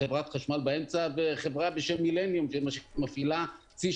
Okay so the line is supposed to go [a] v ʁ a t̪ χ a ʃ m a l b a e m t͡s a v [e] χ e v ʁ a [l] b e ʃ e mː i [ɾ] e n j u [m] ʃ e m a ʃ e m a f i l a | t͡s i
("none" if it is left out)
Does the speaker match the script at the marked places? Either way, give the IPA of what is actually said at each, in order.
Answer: e, e, none, l, m

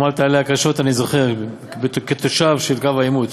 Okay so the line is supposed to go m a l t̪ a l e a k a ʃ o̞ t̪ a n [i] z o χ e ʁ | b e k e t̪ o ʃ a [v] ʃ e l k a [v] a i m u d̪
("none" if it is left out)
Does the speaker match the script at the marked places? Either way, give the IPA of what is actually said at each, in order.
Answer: i, v, v

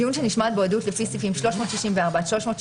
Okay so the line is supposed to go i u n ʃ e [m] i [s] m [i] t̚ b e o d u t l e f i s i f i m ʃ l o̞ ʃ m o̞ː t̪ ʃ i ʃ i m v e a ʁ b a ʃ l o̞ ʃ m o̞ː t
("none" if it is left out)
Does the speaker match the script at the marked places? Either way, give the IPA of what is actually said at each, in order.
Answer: n, ʃ, a

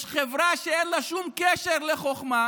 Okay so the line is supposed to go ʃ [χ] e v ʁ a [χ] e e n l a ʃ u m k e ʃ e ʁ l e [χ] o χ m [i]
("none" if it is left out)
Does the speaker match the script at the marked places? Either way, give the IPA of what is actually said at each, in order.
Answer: χ, ʃ, χ, a

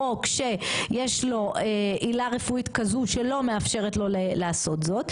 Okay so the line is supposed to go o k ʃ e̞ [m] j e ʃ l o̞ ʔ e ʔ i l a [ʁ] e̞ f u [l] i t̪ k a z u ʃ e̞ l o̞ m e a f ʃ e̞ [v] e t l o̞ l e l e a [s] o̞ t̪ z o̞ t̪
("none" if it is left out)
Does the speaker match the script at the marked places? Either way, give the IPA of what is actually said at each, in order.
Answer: none, ʁ, none, ʁ, s

